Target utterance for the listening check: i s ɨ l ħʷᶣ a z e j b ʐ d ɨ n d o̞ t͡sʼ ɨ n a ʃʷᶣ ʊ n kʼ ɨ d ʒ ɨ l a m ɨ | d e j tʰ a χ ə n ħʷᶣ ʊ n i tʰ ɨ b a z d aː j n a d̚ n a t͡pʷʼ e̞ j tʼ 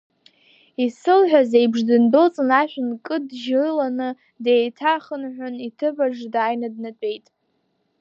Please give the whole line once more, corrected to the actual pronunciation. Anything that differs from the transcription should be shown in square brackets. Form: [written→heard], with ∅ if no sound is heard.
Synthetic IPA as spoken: i s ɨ l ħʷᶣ a z e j b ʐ d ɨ n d o̞ t͡sʼ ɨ n a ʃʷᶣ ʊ n kʼ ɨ d ʒ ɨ l a [m→n] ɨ | d e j tʰ a χ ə n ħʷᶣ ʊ n i tʰ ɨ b a [z→ʐ] d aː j n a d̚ n a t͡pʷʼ e̞ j tʼ